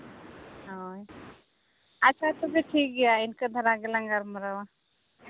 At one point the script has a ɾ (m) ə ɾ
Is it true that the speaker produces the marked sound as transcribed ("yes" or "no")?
yes